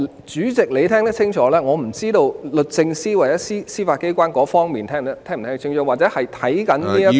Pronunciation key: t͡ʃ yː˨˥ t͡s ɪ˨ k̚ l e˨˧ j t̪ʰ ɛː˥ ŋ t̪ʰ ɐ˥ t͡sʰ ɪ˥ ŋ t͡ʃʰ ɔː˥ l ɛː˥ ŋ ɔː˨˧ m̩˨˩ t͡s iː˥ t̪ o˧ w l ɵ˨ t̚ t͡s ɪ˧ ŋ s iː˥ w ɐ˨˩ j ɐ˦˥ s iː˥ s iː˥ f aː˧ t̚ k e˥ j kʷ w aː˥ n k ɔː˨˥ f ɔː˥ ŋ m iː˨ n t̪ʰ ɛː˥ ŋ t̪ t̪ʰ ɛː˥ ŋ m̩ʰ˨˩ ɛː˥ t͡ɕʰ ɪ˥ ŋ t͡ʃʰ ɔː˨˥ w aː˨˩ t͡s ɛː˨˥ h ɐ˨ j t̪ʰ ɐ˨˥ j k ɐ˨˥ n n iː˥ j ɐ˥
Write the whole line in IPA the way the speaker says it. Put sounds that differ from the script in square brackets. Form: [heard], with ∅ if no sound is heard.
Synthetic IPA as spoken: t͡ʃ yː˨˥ t͡s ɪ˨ k̚ l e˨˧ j t̪ʰ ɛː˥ ŋ [t̪] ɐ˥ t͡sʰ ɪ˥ ŋ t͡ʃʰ [ɔː˨˥] l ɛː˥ ŋ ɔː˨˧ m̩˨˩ t͡s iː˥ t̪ o˧ w l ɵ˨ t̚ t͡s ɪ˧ ŋ s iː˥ w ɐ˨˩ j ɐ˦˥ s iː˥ s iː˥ f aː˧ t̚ k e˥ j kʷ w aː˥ n k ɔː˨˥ f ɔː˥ ŋ m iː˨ n t̪ʰ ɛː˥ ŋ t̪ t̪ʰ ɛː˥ ŋ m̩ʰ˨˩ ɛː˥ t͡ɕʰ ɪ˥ ŋ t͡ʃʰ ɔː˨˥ w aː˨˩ t͡s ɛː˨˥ h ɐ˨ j t̪ʰ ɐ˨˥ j k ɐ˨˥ n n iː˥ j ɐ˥